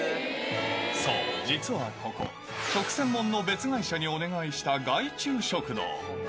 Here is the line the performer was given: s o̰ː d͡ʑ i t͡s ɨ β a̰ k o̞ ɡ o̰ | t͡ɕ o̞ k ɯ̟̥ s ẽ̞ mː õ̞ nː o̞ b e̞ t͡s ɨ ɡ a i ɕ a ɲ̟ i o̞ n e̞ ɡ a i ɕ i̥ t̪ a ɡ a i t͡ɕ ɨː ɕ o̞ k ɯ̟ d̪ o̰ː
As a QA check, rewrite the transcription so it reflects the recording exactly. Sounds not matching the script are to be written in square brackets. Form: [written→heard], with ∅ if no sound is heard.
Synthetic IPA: s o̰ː d͡ʑ i t͡s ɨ β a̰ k o̞ [ɡ→k] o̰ | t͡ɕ o̞ k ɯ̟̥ s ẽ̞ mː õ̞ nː o̞ b e̞ t͡s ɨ ɡ a i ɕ a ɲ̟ i o̞ n e̞ ɡ a i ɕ i̥ t̪ a ɡ a i t͡ɕ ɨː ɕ o̞ k ɯ̟ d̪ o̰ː